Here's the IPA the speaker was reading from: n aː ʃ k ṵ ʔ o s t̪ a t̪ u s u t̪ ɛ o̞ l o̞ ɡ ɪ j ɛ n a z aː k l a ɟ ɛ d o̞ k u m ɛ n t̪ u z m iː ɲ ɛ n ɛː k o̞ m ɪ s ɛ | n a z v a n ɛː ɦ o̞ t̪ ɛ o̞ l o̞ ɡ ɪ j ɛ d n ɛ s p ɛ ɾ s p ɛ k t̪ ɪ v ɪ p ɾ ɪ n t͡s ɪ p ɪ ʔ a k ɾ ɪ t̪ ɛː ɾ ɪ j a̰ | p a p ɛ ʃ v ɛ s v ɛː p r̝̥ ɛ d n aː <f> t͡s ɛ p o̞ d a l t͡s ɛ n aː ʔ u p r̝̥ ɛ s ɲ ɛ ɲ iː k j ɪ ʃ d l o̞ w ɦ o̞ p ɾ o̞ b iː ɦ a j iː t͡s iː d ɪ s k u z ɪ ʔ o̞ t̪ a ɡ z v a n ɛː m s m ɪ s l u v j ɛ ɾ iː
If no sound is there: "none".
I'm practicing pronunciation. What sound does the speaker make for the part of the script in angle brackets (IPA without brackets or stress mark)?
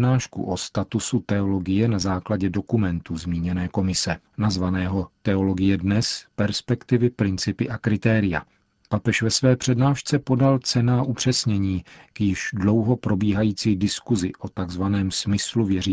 ʃ